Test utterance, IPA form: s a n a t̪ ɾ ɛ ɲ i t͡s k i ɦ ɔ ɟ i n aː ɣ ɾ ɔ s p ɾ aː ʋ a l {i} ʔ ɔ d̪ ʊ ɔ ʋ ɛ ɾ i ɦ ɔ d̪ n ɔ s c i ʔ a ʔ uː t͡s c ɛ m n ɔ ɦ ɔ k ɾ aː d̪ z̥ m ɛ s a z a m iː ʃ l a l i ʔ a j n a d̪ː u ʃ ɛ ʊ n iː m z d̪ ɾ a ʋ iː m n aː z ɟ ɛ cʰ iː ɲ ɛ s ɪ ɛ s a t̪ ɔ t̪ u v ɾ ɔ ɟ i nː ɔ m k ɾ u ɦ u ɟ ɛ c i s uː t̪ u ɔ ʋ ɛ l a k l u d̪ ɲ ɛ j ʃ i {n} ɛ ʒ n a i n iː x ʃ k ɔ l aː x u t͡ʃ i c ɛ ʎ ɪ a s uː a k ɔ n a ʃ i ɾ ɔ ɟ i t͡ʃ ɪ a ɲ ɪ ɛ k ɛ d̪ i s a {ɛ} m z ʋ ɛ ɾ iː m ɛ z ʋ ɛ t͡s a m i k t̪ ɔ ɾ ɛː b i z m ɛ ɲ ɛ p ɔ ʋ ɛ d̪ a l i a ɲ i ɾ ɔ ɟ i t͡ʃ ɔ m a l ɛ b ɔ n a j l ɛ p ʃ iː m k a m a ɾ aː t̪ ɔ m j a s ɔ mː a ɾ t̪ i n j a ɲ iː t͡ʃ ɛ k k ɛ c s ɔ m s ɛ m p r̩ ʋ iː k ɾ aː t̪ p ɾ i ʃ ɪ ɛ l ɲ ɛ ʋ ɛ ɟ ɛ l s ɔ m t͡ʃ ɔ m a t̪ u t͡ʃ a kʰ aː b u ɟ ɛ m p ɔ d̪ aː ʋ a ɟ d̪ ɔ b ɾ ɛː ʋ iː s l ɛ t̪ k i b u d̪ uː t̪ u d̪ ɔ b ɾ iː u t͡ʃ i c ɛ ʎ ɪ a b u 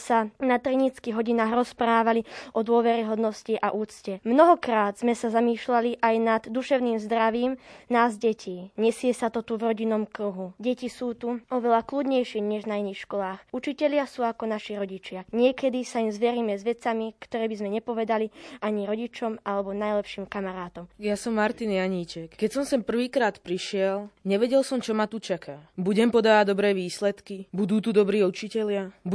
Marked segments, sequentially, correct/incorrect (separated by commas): correct, incorrect, incorrect